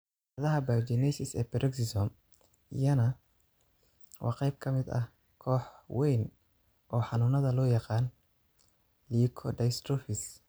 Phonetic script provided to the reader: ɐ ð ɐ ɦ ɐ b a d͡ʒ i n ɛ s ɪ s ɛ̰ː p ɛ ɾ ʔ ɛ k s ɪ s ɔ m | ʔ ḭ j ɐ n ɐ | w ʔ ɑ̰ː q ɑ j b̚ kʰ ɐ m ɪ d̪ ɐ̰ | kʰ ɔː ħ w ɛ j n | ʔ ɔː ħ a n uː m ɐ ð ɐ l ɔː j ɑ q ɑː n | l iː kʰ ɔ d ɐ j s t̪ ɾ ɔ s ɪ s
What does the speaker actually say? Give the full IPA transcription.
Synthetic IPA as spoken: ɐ ð ɐ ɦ ɐ b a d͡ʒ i n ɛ s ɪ s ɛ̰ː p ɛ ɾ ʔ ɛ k s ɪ s ɔ m | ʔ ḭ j ɐ n ɐ | w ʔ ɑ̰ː q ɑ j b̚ kʰ ɐ m ɪ d̪ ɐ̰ | kʰ ɔː ħ w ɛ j n | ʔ ɔː ħ ɑ n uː n ɐ ð ɐ l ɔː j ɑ q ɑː n | l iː kʰ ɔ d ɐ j s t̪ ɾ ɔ f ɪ s